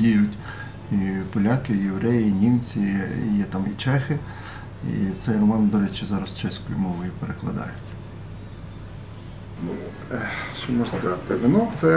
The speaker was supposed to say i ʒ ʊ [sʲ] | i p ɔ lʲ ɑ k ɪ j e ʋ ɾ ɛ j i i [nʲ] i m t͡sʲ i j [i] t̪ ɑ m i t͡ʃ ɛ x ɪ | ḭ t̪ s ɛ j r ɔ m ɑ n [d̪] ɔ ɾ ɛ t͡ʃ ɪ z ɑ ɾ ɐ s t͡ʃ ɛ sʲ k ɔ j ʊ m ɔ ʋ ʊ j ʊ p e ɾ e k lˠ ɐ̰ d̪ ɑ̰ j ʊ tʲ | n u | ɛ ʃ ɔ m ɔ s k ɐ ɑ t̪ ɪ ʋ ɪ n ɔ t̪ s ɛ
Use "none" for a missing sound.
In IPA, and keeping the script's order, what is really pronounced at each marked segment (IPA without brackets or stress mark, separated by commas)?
tʲ, nʲ, ɛ, d̪